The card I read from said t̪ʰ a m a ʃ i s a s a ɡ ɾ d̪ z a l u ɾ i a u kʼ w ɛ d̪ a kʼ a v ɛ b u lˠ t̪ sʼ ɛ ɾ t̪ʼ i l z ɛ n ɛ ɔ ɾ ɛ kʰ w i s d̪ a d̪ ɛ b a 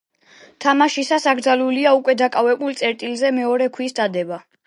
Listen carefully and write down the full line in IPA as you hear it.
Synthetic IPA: t̪ʰ a m a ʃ i s a s a ɡ ɾ d̪ z a l u l i a u kʼ w ɛ d̪ a kʼ a v ɛ b u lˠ t̪ sʼ ɛ ɾ t̪ʼ i l z ɛ m ɛ ɔ ɾ ɛ kʰ w i s d̪ a d̪ ɛ b a